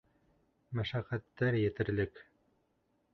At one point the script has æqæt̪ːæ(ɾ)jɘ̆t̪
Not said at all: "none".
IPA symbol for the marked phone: ɾ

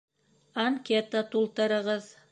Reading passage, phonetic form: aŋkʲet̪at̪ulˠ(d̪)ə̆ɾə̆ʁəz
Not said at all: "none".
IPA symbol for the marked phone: t̪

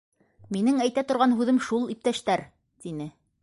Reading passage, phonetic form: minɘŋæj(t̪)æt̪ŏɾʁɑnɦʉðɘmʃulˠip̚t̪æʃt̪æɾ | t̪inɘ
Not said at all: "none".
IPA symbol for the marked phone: t̪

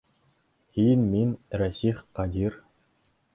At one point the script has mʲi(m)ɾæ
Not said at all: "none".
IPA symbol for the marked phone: n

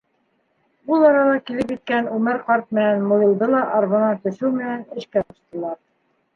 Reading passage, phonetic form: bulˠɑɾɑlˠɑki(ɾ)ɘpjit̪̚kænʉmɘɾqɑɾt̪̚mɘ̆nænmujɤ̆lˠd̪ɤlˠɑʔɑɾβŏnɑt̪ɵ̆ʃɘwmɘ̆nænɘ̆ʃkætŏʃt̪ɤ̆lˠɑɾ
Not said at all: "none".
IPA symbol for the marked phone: l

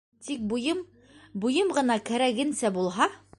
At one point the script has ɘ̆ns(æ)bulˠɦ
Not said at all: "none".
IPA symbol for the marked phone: æ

